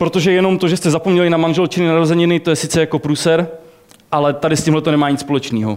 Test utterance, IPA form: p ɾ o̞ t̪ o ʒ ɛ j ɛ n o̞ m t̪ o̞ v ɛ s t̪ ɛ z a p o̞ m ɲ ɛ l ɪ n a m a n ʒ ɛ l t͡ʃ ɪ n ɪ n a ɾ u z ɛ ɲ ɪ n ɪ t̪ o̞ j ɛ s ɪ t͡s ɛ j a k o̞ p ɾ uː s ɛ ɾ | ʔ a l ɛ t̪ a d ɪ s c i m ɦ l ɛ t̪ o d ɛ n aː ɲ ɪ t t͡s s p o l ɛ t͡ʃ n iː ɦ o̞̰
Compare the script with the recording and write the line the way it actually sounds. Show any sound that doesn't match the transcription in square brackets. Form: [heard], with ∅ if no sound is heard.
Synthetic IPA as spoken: p ɾ o̞ t̪ o ʒ ɛ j ɛ n o̞ m t̪ o̞ [ʒ] ɛ s t̪ ɛ z a p o̞ m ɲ ɛ l ɪ n a m a n ʒ ɛ l t͡ʃ ɪ n ɪ n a ɾ [o] z ɛ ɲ ɪ n ɪ t̪ o̞ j ɛ s ɪ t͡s ɛ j a k o̞ p ɾ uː s ɛ ɾ | ʔ a l ɛ t̪ a d ɪ s c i m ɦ l ɛ t̪ o [n] ɛ [m] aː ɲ ɪ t t͡s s p o l ɛ t͡ʃ n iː ɦ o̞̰